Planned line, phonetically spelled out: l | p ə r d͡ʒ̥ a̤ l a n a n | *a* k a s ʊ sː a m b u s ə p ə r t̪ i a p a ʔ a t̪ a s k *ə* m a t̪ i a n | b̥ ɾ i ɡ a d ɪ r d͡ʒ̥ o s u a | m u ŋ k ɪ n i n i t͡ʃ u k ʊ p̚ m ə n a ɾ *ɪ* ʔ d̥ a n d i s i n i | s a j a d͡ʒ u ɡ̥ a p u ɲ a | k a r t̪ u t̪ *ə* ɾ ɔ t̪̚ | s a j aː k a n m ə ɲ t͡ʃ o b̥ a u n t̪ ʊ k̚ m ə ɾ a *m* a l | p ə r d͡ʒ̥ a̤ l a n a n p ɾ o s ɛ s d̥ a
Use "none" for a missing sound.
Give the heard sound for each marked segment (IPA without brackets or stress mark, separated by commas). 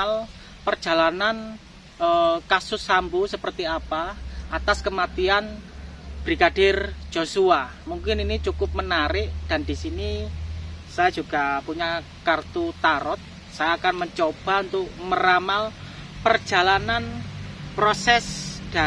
ə, ə, ɪ, a, m